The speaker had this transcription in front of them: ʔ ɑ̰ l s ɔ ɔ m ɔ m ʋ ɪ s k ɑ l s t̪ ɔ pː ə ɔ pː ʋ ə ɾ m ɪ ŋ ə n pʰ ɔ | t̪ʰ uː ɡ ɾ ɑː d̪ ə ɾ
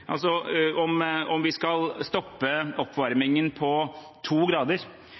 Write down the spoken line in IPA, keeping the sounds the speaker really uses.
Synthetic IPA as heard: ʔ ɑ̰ l s ɔ ɔ m ɔ m ʋ ɪ s k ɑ l s t̪ ɔ pː ə ɔ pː ʋ ɑ ɾ m ɪ ŋ ə n pʰ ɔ | t̪ʰ uː ɡ ɾ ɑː d̪ ə ɾ